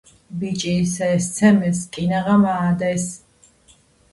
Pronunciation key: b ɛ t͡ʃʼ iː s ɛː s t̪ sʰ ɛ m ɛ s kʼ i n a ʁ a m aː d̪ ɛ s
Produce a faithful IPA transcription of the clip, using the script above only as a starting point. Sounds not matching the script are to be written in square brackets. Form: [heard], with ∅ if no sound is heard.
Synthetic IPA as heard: b [i] t͡ʃʼ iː s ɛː s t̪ sʰ ɛ m ɛ s kʼ i n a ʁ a m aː d̪ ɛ s